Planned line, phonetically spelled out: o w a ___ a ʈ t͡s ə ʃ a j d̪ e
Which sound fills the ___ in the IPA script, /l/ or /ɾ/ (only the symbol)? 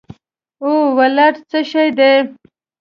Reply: l